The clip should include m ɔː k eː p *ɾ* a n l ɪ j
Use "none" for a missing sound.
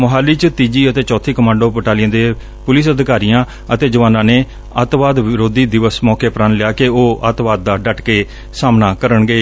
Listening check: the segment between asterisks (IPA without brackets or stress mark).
ɾ